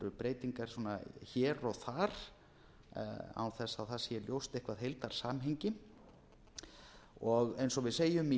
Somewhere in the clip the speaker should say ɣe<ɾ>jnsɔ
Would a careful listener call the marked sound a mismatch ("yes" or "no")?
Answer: yes